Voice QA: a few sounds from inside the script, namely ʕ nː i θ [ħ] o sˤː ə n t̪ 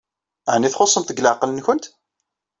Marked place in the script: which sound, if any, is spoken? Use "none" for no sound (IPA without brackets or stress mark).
χ